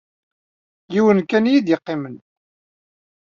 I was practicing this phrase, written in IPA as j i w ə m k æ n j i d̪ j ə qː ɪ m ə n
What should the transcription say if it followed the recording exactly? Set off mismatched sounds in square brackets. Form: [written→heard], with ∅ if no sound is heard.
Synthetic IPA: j i w ə [m→n] k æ n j i d̪ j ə qː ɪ m ə n